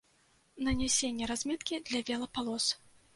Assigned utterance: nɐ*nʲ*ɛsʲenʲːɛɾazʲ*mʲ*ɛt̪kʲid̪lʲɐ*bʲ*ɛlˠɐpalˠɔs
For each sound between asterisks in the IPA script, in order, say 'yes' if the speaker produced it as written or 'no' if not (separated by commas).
yes, yes, no